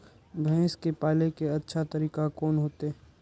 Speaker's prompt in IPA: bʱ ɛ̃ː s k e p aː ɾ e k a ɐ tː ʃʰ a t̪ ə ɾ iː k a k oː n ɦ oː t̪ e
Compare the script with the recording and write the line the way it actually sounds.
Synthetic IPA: bʱ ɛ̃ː s k e p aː l e k e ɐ tː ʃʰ a t̪ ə ɾ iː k a k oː n ɦ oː t̪ e